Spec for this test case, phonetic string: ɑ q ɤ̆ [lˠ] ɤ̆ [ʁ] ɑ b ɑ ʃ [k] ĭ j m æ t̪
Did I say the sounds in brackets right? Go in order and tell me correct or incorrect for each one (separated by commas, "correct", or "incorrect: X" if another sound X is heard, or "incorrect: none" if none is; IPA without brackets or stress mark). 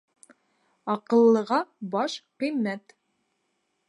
incorrect: lˠː, correct, incorrect: q